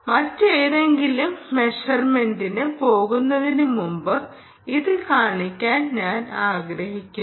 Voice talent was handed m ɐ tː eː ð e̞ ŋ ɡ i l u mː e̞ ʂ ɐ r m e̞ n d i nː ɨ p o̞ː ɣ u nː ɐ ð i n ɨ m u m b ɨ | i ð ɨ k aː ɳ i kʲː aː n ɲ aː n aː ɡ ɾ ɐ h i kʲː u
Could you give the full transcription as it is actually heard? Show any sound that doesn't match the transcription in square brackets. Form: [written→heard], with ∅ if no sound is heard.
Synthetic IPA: m ɐ tː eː ð e̞ ŋ ɡ i l u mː e̞ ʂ ɐ r m e̞ n d i [nː→n] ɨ p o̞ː ɣ u nː ɐ ð i n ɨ m u m b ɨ | i ð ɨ k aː ɳ i kʲː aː n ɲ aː n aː ɡ ɾ ɐ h i kʲː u